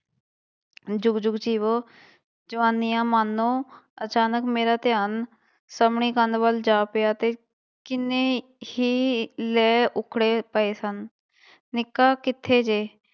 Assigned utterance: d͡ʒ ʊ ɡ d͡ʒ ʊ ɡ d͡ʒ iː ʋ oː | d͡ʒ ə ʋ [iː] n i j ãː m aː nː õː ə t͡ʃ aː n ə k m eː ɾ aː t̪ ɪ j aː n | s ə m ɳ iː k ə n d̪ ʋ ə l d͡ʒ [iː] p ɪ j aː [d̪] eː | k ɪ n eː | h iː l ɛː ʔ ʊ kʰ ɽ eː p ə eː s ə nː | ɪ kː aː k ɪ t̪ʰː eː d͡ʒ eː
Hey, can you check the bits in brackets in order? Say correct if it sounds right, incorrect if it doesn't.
incorrect: aː, incorrect: aː, incorrect: t̪

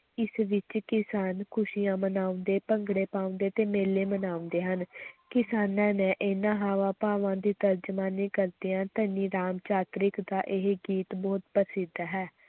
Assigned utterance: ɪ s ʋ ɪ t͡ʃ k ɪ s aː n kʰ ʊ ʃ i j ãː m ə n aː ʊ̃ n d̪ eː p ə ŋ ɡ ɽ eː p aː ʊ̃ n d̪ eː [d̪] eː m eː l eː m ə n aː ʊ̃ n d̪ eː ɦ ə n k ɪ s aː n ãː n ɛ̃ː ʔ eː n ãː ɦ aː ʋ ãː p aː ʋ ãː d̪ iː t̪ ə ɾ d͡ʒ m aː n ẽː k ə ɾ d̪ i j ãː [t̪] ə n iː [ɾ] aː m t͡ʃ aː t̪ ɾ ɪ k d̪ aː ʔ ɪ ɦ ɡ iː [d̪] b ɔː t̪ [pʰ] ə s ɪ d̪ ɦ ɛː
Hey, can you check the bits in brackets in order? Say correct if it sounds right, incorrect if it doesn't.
incorrect: t̪, correct, correct, incorrect: t̪, incorrect: p

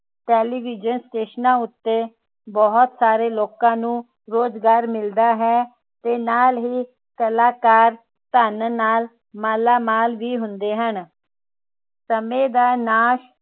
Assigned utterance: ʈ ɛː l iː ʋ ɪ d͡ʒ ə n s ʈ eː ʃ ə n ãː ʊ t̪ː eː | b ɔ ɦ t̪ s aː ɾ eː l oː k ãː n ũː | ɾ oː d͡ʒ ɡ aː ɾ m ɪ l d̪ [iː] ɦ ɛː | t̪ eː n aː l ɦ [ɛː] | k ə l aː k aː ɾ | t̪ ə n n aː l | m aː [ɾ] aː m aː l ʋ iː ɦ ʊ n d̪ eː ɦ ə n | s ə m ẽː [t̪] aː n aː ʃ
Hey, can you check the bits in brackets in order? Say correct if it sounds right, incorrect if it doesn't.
incorrect: aː, incorrect: iː, incorrect: l, incorrect: d̪

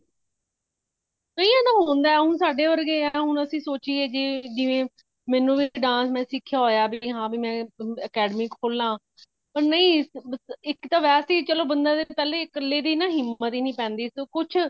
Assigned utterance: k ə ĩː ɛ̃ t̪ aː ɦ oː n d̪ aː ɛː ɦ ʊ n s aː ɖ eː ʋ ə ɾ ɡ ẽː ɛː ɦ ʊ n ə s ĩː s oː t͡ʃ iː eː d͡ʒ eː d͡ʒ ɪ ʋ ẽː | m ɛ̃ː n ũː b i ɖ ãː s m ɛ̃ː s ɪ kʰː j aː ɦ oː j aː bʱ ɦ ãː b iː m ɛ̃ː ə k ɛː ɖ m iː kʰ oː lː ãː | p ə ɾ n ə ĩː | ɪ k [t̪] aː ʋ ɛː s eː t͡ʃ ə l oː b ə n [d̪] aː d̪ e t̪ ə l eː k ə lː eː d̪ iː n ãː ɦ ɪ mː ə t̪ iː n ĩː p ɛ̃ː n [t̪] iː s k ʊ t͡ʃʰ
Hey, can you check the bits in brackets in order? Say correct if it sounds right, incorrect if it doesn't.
correct, correct, incorrect: d̪

